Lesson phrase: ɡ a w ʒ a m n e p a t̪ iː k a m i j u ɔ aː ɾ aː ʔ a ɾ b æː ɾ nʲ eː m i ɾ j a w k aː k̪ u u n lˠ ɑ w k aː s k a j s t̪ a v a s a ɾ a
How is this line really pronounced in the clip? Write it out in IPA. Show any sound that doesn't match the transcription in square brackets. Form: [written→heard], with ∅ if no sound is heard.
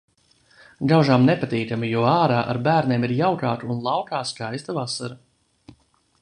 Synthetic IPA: ɡ a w ʒ a m n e p a t̪ iː k a m i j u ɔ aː ɾ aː ʔ a ɾ b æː ɾ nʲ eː m i ɾ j a w k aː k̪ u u n lˠ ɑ w k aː s k a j s t̪ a v a s a ɾ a